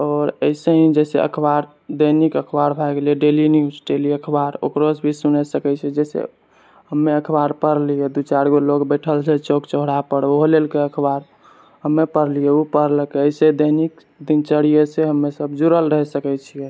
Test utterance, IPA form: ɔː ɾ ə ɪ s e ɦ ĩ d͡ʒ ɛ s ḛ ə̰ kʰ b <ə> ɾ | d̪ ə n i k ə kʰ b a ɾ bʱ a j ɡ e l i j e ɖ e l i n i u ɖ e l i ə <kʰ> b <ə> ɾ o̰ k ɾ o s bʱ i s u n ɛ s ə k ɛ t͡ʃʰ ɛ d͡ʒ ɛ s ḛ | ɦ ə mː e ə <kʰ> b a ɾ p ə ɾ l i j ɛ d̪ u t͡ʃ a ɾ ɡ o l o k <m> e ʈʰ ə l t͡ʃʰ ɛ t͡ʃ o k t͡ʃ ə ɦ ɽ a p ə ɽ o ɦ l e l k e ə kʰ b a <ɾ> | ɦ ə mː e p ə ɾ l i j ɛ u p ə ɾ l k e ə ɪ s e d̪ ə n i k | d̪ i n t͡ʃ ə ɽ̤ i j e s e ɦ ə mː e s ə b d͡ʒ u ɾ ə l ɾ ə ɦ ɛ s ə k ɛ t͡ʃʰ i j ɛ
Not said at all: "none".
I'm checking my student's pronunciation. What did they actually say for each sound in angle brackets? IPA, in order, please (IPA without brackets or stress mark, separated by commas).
a, kʰ, a, kʰ, b, ɾ